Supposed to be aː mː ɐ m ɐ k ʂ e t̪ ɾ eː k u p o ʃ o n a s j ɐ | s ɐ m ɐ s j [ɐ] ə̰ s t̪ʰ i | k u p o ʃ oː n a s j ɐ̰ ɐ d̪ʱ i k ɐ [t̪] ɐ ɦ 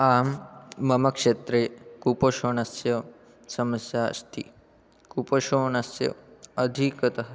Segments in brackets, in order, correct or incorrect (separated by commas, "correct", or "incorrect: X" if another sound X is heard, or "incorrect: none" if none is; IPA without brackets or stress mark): incorrect: a, correct